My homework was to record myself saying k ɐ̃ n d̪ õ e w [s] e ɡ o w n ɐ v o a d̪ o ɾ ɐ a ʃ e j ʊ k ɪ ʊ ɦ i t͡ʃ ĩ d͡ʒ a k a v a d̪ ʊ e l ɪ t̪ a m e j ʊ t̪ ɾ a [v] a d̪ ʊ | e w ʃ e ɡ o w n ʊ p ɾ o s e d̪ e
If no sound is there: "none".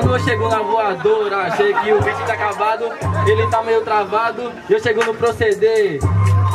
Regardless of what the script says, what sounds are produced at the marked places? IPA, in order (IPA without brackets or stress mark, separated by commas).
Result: ʃ, v